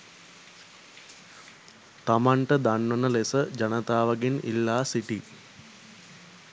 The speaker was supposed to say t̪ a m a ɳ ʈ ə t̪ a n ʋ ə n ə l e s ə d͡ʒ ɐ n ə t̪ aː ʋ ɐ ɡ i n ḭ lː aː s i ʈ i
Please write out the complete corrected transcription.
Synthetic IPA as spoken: t̪ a m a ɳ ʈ ə d̪ a n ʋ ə n ə l e s ə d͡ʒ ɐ n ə t̪ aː ʋ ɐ ɡ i n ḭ lː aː s i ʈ i